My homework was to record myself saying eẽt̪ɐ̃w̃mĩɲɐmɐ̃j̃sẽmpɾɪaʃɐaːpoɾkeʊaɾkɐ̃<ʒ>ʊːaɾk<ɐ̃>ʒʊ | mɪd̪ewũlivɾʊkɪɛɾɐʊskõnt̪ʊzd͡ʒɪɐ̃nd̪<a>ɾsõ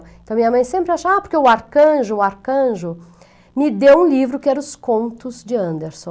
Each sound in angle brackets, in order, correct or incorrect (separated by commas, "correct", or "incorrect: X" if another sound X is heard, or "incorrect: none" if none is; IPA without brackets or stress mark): correct, correct, incorrect: e